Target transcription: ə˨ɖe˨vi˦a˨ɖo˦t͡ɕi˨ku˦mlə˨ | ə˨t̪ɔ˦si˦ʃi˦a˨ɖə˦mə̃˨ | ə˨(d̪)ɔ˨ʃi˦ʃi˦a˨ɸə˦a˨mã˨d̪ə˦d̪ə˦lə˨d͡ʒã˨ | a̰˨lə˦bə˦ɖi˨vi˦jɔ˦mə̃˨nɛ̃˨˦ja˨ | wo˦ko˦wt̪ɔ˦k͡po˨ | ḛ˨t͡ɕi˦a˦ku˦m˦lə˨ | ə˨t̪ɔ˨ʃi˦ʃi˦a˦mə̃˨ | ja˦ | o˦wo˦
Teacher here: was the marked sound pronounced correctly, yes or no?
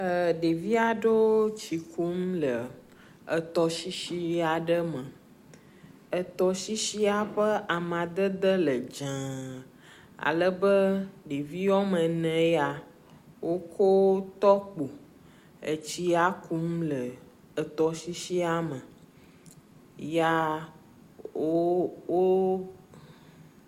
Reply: no